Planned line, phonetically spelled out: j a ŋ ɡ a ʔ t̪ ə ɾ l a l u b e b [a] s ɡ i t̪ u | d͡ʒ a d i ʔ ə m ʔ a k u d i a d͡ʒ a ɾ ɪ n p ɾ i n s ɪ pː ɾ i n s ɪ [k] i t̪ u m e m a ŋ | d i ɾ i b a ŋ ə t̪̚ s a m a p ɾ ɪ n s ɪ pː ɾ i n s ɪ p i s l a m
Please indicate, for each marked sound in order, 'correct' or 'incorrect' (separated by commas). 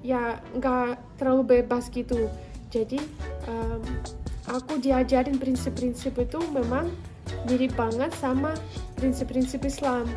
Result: correct, incorrect